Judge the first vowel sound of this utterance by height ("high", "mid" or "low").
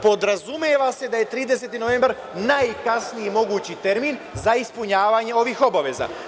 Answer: mid